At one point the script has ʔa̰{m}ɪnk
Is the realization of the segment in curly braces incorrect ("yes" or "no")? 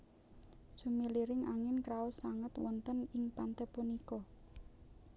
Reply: yes